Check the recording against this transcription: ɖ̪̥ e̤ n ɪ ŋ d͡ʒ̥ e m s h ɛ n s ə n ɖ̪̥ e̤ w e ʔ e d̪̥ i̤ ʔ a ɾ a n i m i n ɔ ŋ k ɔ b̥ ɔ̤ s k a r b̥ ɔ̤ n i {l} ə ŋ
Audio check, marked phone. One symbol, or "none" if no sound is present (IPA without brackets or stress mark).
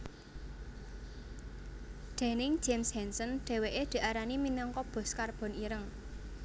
ɾ